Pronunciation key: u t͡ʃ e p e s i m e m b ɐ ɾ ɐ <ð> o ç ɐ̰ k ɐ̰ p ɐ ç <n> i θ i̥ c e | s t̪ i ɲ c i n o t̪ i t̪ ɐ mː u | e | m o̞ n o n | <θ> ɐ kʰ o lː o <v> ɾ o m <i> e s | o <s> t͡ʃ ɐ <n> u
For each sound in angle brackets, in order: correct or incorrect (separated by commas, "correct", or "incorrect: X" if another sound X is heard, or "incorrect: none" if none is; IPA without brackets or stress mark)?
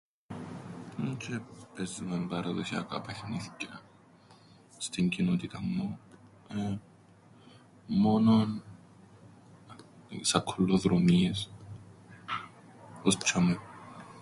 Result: correct, correct, incorrect: s, incorrect: ð, correct, correct, incorrect: m